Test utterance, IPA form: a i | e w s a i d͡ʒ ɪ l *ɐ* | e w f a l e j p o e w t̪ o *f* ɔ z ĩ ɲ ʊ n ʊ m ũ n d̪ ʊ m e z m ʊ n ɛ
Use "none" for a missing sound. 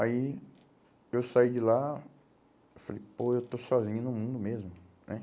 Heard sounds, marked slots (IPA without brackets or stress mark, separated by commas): a, s